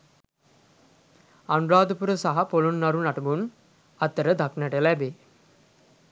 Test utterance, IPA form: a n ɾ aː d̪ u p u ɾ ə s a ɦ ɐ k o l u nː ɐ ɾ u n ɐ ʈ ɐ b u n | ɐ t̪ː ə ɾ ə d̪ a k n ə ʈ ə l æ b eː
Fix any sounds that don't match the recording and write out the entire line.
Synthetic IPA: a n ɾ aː d̪ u p u ɾ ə s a ɦ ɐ p o l u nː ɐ ɾ u n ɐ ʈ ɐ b u n | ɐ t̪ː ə ɾ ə d̪ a k n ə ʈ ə l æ b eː